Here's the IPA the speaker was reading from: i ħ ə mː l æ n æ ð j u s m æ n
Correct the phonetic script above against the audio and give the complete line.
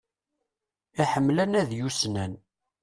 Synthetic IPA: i ħ ə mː l æ n æ ð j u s n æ n